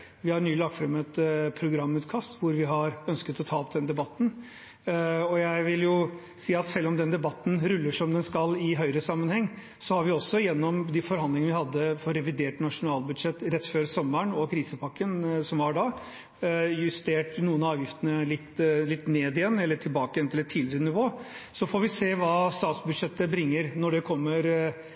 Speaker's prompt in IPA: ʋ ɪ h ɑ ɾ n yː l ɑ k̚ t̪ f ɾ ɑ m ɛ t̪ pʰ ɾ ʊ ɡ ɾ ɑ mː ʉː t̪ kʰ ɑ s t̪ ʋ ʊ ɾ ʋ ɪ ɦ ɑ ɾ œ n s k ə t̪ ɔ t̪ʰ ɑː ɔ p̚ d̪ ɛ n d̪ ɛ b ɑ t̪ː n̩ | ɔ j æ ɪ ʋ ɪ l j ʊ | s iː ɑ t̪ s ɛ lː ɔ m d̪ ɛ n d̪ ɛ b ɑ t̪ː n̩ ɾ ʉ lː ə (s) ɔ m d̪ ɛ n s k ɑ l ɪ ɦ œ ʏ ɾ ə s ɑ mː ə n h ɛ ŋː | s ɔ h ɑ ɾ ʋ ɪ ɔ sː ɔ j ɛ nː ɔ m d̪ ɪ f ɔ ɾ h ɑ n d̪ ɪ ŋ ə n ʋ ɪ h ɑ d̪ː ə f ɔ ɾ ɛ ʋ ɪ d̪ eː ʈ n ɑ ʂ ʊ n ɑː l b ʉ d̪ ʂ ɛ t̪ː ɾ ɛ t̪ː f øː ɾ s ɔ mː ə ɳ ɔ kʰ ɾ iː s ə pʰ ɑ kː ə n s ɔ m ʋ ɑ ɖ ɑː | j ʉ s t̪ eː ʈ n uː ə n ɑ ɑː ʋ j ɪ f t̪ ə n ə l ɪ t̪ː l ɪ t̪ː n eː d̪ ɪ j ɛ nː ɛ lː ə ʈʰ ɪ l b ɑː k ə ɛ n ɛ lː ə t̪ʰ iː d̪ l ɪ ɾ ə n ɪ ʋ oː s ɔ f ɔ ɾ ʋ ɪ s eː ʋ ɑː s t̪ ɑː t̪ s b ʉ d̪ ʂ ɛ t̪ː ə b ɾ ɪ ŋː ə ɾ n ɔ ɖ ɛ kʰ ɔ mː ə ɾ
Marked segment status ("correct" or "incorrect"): incorrect